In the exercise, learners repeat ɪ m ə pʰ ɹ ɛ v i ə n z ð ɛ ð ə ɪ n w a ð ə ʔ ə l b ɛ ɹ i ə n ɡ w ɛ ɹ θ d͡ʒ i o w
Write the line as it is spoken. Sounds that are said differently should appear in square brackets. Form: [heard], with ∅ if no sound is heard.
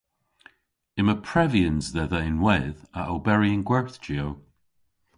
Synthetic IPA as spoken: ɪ m ə pʰ ɹ ɛ v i ə n z ð ɛ ð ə ɪ n w [ɛ] ð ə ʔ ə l b ɛ ɹ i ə n ɡ w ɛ ɹ θ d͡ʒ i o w